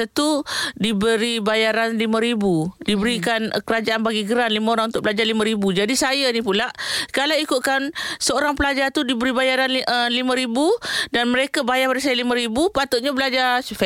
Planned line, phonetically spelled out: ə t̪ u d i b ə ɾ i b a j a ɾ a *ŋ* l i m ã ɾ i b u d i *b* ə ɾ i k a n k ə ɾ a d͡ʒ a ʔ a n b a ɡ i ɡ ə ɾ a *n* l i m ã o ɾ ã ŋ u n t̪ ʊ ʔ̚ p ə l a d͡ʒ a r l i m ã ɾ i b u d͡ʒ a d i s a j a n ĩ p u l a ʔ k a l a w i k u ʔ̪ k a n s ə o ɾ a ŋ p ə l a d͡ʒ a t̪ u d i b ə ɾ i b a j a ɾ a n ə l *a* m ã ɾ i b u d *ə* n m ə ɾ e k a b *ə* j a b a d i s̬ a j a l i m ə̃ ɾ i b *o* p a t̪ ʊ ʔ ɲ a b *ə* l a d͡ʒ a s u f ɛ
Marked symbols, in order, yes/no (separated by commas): no, yes, yes, no, no, no, no, yes